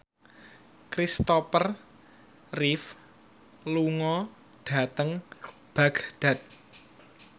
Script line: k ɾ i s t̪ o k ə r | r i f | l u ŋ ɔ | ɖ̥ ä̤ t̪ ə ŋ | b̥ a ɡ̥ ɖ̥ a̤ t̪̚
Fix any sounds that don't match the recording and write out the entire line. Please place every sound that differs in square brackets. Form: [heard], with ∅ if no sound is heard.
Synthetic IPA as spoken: k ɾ i s t̪ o [p] ə r | r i f | l u ŋ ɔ | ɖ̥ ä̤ t̪ ə ŋ | b̥ a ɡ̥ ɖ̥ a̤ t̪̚